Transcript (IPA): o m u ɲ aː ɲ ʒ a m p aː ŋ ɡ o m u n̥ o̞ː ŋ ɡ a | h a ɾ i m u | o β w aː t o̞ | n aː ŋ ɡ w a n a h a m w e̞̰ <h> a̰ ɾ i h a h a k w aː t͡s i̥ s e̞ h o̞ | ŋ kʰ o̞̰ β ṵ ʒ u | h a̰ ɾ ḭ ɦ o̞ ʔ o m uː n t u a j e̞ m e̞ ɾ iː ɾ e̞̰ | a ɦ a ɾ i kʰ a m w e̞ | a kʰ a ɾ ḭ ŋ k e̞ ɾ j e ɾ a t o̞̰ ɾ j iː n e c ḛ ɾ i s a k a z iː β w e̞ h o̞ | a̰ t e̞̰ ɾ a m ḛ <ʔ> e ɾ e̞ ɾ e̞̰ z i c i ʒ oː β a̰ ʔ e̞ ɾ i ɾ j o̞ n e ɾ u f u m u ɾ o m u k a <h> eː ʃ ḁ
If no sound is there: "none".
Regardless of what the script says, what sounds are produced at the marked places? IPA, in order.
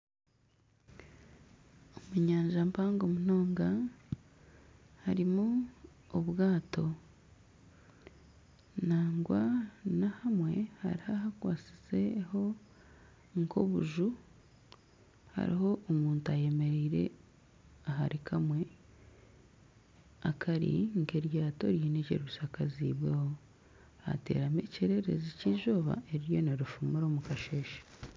h, c, ʃ

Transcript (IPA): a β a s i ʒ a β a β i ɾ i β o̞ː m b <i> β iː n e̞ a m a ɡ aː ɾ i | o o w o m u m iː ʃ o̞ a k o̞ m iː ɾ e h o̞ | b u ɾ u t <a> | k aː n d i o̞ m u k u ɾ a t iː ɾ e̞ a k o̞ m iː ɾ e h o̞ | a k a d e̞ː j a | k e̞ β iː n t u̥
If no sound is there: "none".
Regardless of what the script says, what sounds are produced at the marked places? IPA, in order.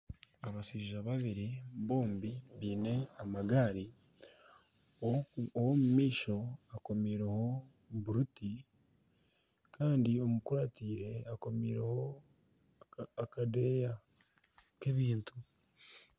i, i

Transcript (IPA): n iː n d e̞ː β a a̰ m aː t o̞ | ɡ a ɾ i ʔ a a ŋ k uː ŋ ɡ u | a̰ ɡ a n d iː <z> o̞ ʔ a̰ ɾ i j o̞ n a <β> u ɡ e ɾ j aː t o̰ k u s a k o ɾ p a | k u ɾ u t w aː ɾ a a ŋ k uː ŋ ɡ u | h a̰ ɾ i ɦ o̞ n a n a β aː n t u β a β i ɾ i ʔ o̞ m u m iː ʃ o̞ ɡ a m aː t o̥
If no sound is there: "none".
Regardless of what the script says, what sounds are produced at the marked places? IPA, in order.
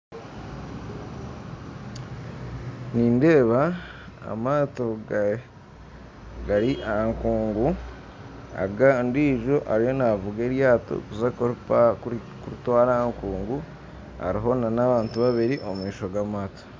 ʒ, v

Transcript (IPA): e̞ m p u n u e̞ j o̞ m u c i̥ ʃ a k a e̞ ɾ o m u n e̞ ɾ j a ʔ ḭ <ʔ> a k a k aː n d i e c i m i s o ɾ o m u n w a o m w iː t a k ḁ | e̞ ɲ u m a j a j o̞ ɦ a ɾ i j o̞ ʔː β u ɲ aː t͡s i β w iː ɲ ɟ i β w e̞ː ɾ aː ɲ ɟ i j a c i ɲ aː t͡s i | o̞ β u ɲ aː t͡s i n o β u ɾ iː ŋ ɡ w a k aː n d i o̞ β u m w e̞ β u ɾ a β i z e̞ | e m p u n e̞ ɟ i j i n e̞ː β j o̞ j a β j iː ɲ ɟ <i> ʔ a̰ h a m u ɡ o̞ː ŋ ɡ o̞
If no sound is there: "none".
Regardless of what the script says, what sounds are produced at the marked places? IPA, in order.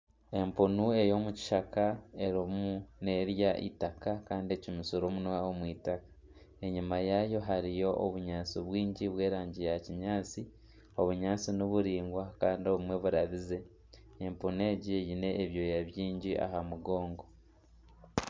t, i

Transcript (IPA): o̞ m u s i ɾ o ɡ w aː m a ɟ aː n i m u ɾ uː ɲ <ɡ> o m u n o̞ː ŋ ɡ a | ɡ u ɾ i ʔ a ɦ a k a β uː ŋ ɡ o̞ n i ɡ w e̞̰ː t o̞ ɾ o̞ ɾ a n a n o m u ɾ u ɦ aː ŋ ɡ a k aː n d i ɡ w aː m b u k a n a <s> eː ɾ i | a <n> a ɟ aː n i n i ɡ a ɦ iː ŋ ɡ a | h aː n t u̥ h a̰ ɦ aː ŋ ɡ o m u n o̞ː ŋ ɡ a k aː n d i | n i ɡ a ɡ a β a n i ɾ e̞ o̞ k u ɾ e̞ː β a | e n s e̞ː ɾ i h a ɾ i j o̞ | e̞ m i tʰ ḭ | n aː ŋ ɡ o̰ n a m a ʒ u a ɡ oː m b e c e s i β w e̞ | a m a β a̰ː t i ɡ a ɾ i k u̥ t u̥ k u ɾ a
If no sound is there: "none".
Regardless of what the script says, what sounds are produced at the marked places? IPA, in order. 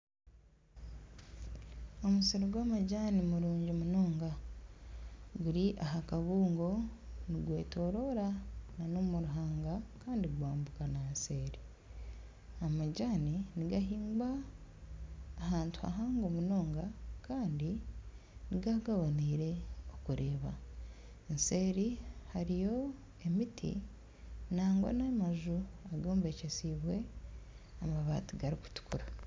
ɟ, s, m

